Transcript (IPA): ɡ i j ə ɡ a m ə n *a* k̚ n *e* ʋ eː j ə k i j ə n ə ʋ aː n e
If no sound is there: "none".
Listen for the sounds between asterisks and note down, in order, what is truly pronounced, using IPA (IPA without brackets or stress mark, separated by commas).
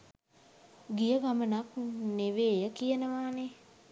a, e